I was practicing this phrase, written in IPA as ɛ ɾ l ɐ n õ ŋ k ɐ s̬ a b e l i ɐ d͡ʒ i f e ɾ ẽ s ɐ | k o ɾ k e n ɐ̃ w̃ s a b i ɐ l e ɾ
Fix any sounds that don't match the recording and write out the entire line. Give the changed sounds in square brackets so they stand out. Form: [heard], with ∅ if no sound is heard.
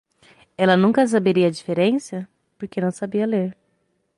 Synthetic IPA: ɛ [∅] l ɐ n [ũ] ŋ k ɐ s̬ a b e [ɾ] i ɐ d͡ʒ i f e ɾ ẽ s ɐ | [p] o ɾ k e n ɐ̃ w̃ s a b i ɐ l e ɾ